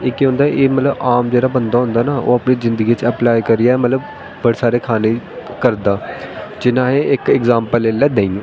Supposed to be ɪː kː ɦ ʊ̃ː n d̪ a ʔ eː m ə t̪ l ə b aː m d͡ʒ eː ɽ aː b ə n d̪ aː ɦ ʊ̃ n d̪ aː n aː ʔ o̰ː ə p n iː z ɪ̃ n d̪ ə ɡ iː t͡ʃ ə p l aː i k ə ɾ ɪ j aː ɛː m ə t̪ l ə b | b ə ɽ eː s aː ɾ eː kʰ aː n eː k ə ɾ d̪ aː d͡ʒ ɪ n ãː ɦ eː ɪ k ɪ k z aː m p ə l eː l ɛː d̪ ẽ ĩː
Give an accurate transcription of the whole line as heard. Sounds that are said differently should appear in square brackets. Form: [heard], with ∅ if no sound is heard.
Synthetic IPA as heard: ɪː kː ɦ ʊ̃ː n d̪ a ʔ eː m ə t̪ l ə b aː m d͡ʒ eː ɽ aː b ə n d̪ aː ɦ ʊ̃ n d̪ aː n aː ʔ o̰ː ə p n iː z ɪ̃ n d̪ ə ɡ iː t͡ʃ ə p l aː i k ə ɾ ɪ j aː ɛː m ə t̪ l ə b | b ə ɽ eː s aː ɾ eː kʰ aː n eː k ə ɾ d̪ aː d͡ʒ ɪ n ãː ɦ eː ɪ k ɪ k z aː m p ə l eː l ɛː d̪ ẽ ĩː